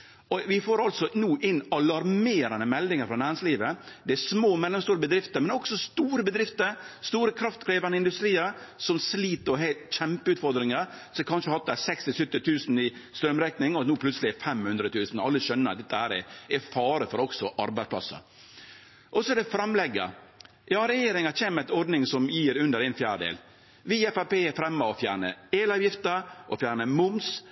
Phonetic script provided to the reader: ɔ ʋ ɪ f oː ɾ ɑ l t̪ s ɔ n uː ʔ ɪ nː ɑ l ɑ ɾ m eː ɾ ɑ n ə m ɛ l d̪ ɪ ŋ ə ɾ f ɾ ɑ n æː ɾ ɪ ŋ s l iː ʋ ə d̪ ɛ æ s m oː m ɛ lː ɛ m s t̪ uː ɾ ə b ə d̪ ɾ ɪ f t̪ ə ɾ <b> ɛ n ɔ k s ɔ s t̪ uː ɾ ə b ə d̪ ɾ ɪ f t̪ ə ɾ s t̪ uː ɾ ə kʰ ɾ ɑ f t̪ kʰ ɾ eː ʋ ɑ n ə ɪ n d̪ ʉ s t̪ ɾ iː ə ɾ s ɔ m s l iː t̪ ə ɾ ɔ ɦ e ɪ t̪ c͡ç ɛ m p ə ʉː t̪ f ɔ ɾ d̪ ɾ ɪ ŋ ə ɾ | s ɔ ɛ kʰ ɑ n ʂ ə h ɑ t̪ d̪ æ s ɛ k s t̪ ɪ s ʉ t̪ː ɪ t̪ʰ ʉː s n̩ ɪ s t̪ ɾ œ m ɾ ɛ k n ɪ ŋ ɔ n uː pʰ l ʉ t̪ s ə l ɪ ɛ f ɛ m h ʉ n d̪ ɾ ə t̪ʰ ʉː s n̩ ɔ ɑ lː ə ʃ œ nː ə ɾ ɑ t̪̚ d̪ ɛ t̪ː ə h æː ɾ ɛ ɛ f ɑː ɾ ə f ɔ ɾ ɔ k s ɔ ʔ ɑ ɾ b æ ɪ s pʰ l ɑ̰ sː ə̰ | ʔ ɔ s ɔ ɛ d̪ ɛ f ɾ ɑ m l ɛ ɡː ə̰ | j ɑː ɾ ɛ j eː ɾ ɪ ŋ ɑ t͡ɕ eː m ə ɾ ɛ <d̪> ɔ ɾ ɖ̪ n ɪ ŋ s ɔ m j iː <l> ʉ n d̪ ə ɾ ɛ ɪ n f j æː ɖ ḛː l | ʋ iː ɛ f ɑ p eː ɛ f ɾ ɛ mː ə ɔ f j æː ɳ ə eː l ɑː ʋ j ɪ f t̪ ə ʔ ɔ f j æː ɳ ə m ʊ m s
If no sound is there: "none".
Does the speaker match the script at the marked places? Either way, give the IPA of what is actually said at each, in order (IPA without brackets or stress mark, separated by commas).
m, t̪, ɾ